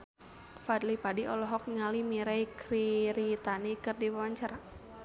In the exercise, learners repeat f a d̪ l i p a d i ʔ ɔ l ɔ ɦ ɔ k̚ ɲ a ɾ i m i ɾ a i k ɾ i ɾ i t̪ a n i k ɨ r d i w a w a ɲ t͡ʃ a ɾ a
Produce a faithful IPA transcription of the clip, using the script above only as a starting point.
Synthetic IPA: f a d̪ l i p a d i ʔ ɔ l ɔ ɦ ɔ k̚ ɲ a l i m i ɾ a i k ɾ i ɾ i t̪ a n i k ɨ r d i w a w a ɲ t͡ʃ a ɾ a